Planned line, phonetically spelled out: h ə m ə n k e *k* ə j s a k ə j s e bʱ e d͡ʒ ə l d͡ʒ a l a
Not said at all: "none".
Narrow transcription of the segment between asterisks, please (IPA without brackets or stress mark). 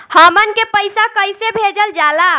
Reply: p